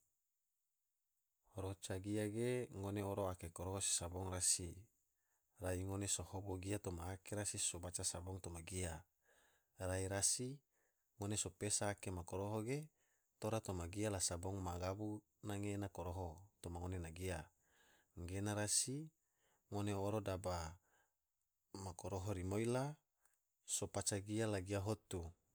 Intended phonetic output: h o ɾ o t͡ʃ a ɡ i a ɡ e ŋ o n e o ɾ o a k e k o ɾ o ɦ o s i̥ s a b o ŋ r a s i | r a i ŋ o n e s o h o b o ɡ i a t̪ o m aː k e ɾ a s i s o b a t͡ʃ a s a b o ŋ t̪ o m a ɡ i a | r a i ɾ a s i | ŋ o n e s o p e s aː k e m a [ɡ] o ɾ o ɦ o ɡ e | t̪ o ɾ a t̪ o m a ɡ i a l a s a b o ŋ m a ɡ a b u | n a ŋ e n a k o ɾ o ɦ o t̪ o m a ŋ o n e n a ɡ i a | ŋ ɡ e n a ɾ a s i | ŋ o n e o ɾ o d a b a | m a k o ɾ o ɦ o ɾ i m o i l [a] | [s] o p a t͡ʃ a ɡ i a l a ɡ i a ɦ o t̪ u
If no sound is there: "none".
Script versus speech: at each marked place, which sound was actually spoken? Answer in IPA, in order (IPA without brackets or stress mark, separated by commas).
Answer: k, a, s